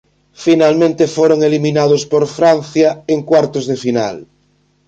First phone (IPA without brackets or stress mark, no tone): f